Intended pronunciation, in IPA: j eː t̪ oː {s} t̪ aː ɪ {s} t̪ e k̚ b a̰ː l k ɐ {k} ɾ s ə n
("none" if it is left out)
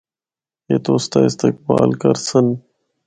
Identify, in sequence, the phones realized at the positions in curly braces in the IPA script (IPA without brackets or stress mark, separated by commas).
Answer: s, s, none